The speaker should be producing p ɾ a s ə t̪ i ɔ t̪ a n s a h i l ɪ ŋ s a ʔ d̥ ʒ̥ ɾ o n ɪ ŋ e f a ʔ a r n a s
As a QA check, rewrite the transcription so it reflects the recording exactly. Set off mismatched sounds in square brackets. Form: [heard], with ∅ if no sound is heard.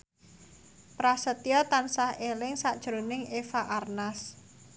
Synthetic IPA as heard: p ɾ a s ə t̪ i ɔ t̪ a n s a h [e] l ɪ ŋ s a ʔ d̥ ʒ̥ ɾ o n ɪ ŋ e f a ʔ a r n a s